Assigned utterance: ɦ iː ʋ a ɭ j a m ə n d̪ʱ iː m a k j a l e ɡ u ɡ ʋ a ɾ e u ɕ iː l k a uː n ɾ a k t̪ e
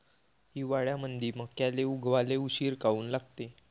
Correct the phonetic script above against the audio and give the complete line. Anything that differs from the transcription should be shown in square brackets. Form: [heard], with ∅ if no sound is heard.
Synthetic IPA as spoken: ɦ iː ʋ a ɭ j a m ə n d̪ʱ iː m [ə] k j a l e [∅] u ɡ ʋ a [l] e u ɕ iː [ɾ] k a uː n [l] a [ɡ] t̪ e

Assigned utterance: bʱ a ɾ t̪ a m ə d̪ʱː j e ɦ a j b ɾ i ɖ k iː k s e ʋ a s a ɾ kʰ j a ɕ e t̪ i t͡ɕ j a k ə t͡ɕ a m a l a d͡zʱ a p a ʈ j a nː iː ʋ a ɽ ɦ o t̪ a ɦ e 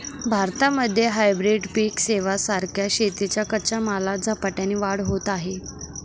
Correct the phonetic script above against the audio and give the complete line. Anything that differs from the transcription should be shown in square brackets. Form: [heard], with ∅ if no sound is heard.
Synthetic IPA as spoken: bʱ a ɾ t̪ a m ə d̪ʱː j e ɦ a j b ɾ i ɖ [p] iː k s e ʋ a s a ɾ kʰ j a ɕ e t̪ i t͡ɕ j a k ə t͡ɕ a m a l a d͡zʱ a p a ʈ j a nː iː ʋ a ɽ ɦ o t̪ a ɦ e

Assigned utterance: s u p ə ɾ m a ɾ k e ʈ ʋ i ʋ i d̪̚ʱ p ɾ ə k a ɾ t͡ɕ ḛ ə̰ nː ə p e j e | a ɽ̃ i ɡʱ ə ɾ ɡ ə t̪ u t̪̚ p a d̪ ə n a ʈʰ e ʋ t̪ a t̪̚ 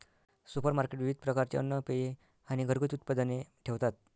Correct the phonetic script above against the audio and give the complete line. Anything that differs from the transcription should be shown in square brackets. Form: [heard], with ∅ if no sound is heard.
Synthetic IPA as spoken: s u p ə ɾ m a ɾ k e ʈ ʋ i ʋ i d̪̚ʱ p ɾ ə k a ɾ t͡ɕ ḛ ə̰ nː ə p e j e | a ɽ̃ i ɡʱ ə ɾ ɡ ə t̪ u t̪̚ p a d̪ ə n [e] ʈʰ e ʋ t̪ a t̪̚

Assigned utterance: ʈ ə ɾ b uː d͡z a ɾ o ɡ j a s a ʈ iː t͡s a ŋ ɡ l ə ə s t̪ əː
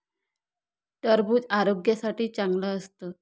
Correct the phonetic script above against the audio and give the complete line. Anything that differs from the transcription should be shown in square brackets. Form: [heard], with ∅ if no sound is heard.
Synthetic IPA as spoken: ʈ ə ɾ b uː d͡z a ɾ o ɡ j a s a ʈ iː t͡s a ŋ ɡ l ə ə s t̪ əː

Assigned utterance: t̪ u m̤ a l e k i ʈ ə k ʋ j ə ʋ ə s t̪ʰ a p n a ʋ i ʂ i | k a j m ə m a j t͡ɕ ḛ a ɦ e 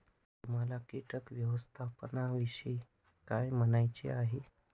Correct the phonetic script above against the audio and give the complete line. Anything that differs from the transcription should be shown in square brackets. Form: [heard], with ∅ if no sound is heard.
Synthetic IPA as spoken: t̪ u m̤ a l [a] k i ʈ ə k ʋ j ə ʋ ə s t̪ʰ a p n a ʋ i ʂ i | k a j m ə [n] a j t͡ɕ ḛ a ɦ e

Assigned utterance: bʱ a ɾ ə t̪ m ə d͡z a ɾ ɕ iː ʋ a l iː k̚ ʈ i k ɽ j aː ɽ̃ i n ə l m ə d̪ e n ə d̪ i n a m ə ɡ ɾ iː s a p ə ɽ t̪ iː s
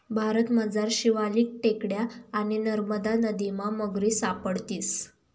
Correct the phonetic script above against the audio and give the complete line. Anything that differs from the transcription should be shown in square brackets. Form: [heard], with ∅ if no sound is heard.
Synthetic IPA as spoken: bʱ a ɾ ə t̪ m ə d͡z a ɾ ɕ [i] ʋ a l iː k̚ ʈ [e] k ɽ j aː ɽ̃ i n ə [ɾ] m ə d̪ [a] n ə d̪ i [m] a m ə ɡ ɾ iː s a p ə ɽ t̪ iː s

